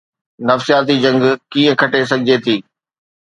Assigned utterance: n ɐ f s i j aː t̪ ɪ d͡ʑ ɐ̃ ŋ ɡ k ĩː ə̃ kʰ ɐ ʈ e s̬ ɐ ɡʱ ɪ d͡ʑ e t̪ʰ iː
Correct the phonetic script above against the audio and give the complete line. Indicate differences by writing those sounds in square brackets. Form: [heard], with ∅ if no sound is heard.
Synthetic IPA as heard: n ɐ f s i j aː t̪ [i] d͡ʑ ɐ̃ ŋ ɡ k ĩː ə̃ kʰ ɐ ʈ e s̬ ɐ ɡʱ ɪ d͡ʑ e t̪ʰ iː